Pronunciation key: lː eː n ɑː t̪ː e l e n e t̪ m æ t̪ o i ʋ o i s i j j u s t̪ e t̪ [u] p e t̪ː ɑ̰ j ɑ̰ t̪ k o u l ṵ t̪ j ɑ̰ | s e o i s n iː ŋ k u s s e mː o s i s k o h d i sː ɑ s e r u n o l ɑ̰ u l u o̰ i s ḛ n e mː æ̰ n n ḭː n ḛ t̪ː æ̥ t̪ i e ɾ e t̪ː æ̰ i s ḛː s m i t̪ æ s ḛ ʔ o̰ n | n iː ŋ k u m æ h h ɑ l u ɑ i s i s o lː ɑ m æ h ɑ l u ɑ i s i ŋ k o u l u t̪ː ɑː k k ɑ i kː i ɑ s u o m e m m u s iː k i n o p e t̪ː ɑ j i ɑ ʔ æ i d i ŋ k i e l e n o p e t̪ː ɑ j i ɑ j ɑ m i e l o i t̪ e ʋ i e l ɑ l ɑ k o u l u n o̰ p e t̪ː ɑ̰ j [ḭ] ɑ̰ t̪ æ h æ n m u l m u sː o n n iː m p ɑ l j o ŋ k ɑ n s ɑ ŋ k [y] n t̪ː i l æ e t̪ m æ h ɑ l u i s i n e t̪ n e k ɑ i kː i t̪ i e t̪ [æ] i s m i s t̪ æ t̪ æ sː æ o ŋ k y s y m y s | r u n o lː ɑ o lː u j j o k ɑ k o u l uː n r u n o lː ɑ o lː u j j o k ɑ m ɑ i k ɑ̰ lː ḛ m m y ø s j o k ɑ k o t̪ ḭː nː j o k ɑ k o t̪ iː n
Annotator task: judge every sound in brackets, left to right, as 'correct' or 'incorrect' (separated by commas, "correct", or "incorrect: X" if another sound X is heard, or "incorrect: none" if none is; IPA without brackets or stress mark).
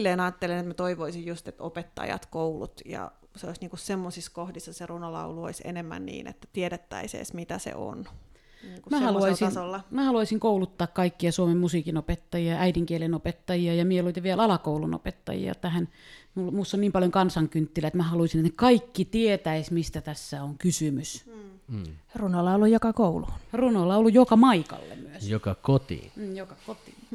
incorrect: o, correct, correct, correct